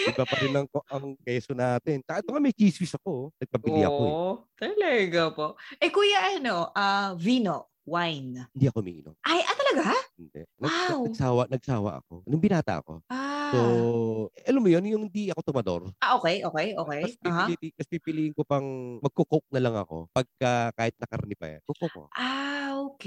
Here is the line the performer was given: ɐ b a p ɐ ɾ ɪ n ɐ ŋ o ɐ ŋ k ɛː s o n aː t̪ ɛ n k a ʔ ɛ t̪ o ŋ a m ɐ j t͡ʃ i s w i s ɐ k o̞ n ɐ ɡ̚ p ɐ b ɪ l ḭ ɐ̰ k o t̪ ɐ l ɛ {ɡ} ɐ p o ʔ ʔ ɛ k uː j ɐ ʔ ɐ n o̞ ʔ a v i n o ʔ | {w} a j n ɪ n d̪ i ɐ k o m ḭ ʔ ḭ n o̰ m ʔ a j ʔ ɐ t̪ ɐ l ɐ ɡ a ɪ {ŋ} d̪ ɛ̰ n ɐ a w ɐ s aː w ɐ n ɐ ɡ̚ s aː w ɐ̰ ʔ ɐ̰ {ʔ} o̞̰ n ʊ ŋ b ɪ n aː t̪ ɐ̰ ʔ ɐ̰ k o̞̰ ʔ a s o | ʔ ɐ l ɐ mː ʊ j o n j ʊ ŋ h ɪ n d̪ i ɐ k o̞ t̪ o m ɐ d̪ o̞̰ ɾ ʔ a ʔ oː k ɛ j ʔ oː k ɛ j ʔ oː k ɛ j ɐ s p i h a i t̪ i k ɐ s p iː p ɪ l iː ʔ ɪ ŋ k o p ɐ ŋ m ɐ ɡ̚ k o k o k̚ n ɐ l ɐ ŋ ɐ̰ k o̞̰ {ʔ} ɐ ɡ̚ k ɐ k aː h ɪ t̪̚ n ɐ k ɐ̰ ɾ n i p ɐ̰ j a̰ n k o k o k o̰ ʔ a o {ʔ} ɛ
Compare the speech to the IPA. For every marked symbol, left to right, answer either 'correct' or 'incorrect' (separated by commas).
correct, correct, incorrect, incorrect, incorrect, incorrect